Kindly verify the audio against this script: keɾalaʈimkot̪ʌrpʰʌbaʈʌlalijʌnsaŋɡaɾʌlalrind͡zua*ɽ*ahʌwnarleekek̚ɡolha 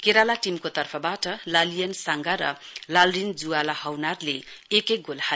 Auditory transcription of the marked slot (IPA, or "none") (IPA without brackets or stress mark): l